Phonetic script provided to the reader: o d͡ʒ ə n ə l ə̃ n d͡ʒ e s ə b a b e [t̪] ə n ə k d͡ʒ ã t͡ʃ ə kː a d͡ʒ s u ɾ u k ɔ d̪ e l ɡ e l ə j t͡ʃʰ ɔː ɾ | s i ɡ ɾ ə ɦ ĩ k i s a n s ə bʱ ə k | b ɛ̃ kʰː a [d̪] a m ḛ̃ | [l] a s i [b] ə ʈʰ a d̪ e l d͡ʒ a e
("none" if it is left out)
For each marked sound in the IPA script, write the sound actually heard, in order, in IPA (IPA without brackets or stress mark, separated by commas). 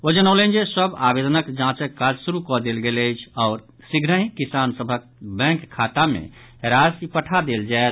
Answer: d̪, t̪, ɾ, p